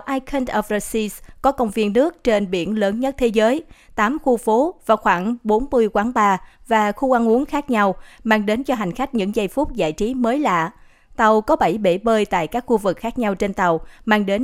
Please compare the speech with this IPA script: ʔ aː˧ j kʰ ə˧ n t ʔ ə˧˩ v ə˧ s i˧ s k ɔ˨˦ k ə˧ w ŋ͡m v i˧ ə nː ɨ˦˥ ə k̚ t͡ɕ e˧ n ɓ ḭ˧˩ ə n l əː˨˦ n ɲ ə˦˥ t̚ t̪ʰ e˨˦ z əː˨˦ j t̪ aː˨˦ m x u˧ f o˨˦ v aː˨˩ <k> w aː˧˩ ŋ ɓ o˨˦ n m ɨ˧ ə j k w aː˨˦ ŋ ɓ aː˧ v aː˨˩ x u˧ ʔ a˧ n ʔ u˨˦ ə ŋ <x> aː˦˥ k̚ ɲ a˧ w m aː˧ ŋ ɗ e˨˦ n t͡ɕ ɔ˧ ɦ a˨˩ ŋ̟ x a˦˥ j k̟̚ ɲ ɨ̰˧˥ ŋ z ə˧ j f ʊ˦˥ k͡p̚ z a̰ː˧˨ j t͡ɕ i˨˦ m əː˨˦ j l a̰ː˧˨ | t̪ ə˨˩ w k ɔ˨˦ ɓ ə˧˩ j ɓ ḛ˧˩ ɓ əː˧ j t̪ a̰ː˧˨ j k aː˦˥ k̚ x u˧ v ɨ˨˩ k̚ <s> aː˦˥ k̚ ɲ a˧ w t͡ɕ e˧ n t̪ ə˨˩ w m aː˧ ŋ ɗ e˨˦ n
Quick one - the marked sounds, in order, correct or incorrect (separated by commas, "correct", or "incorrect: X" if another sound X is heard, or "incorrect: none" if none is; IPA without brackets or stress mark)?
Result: incorrect: x, correct, incorrect: x